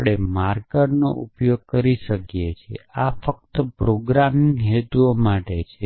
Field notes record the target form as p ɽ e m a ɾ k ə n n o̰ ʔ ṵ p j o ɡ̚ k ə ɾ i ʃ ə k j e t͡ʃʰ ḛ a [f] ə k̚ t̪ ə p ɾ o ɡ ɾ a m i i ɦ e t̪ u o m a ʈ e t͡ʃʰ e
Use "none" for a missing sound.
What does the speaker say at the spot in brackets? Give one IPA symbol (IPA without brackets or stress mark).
f